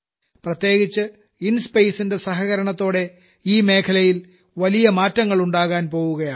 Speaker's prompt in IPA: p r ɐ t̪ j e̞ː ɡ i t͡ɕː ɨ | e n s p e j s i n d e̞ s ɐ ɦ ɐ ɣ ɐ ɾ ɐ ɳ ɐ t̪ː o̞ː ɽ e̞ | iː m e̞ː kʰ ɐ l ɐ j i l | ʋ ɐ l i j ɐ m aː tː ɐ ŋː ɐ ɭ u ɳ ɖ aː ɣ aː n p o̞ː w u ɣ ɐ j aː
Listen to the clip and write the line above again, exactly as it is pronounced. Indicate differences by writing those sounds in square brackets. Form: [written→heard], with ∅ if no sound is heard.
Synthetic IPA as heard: p r ɐ t̪ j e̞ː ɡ i t͡ɕː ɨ | [e→i] n s p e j s i n d e̞ s ɐ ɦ ɐ ɣ ɐ ɾ ɐ ɳ ɐ t̪ː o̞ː ɽ e̞ | iː m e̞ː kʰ ɐ l ɐ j i l | ʋ ɐ l i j ɐ m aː tː ɐ ŋː ɐ ɭ u ɳ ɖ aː ɣ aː n p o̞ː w u ɣ ɐ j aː